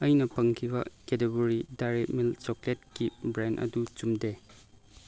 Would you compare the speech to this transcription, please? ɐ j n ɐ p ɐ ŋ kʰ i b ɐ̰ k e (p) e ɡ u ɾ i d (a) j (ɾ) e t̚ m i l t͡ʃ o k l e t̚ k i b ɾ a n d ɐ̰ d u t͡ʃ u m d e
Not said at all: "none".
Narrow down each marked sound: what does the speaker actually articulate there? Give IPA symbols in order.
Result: t, a, ɾ

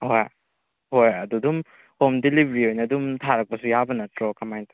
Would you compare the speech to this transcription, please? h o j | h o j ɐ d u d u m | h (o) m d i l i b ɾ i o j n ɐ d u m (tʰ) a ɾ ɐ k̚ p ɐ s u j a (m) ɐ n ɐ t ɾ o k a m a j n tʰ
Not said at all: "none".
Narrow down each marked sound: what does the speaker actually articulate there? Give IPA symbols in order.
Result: o, tʰ, b

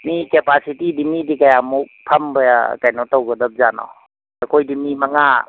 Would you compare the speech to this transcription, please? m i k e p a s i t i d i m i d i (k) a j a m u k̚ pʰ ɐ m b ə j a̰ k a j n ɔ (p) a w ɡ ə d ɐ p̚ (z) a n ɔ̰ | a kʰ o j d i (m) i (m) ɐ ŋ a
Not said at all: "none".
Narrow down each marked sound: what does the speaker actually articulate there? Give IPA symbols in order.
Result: k, t, z, m, m

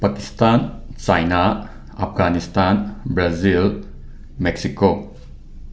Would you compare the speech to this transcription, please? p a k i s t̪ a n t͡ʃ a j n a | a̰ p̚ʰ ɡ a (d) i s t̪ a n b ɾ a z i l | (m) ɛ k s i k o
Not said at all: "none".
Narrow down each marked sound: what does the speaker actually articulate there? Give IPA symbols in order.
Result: n, m

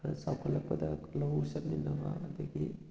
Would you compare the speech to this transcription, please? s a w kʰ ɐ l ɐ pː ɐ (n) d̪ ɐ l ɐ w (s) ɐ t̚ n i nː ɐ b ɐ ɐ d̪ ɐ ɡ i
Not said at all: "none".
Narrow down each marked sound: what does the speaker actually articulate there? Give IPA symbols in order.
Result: none, s

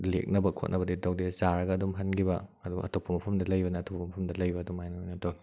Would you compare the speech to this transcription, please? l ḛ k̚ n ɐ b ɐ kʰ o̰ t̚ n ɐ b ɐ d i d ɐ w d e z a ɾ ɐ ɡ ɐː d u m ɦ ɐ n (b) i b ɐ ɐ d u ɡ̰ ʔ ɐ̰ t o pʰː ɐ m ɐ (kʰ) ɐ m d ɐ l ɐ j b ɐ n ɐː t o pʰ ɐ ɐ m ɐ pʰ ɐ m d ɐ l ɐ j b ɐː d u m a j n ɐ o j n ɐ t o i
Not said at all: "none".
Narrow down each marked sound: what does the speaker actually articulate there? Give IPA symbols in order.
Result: ɡ, pʰ

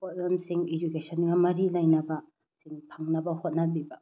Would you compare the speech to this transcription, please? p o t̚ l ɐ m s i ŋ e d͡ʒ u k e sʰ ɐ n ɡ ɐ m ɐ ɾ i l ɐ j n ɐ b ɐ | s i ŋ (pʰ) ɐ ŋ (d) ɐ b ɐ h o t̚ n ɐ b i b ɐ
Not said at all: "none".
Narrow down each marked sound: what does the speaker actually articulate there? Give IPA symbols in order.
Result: pʰ, n

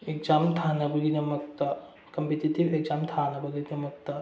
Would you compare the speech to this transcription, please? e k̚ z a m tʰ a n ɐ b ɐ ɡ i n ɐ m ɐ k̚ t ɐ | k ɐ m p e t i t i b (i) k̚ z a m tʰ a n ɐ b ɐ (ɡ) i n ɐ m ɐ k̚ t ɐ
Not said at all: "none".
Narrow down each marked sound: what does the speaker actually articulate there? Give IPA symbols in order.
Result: e, ɡ

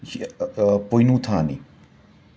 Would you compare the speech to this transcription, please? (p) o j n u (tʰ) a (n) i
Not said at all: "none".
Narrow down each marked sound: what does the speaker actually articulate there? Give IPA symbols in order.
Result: p, tʰ, n

